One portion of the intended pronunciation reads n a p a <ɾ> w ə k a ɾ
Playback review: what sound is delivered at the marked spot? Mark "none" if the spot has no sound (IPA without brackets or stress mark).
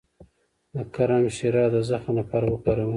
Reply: ɾ